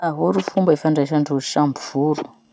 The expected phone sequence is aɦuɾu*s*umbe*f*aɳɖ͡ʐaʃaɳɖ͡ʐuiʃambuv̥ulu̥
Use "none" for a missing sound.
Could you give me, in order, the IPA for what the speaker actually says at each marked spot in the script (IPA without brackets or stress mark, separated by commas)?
f, f